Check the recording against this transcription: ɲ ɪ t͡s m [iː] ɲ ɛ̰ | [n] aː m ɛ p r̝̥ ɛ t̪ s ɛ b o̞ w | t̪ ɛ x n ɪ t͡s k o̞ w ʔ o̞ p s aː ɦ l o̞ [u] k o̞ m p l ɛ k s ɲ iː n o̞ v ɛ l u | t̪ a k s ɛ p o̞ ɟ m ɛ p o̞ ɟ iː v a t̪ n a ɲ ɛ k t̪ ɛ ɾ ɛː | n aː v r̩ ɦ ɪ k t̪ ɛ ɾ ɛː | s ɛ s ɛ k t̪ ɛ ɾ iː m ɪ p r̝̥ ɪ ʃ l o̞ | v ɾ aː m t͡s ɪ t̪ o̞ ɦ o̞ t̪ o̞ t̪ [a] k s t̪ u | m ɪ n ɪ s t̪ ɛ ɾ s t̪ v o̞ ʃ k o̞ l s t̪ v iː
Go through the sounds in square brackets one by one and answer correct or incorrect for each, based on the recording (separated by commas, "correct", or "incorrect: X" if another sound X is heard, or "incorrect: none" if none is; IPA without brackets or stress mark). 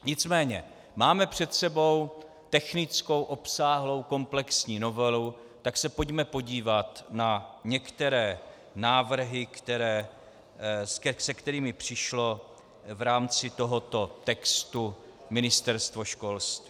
incorrect: ɛː, incorrect: m, incorrect: w, incorrect: ɛ